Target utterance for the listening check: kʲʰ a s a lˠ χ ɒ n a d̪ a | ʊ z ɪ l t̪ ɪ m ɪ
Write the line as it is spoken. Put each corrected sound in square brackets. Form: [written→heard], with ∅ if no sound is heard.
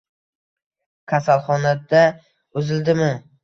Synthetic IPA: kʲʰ a s a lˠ χ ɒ n a d̪ a | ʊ z ɪ l [t̪→d̪] ɪ m ɪ